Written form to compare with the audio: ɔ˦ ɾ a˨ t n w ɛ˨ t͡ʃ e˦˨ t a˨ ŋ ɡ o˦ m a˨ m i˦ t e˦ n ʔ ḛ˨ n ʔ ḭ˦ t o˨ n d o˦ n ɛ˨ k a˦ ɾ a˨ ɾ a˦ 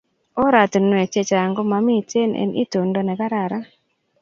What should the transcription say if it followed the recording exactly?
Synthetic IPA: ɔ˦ ɾ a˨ t n w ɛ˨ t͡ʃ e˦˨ t͡ʃ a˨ ŋ ɡ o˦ m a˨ m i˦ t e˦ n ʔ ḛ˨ n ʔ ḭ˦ t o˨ n d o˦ n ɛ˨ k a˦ ɾ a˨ ɾ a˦